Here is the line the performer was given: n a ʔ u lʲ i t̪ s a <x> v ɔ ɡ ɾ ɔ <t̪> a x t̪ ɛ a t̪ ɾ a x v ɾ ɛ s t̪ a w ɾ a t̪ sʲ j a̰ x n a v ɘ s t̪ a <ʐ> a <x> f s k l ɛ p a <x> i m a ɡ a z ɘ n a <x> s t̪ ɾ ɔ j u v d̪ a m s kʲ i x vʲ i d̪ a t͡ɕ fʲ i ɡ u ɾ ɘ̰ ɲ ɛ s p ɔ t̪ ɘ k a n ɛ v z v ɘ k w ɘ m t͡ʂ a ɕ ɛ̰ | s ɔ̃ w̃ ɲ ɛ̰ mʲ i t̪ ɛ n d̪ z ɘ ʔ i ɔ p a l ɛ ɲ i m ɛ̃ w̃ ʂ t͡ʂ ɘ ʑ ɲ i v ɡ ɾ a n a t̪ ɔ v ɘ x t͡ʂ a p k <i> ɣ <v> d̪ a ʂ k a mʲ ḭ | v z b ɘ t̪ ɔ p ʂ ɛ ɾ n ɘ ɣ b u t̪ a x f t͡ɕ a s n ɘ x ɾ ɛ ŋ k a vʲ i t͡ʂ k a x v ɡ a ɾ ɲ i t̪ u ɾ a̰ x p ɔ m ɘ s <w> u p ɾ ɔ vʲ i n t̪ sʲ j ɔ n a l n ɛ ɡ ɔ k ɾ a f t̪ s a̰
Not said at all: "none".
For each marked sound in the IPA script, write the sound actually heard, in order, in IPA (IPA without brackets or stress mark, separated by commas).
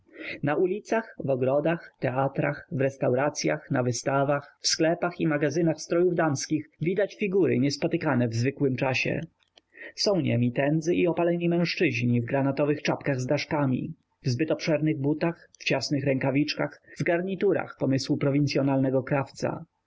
x, d̪, v, x, x, x, a, z, w